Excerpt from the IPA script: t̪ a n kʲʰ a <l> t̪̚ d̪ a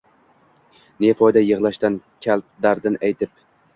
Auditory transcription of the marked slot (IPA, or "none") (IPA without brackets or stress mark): l